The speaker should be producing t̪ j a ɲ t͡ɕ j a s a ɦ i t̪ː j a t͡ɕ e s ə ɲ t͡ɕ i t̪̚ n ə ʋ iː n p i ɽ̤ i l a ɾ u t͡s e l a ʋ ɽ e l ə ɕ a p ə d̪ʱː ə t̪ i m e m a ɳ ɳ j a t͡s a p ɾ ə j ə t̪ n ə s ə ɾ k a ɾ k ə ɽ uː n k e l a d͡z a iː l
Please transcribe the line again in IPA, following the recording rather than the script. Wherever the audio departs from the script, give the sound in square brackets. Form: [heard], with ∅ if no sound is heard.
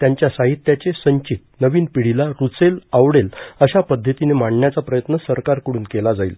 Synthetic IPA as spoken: t̪ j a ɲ t͡ɕ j a s a ɦ i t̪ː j a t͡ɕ e s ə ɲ t͡ɕ i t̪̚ n ə ʋ iː n p i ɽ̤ i l a ɾ u t͡s e l a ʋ ɽ e l ə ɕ a p ə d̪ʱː ə t̪ i [n] e m a ɳ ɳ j a t͡s a p ɾ ə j ə t̪ n ə s ə ɾ k a ɾ k ə ɽ uː n k e l a d͡z a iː l